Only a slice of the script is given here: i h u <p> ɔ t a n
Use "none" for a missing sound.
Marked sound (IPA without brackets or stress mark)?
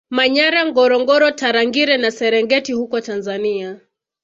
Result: k